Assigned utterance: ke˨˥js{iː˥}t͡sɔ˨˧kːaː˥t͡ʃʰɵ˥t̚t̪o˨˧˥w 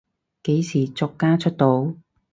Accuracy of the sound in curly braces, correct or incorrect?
incorrect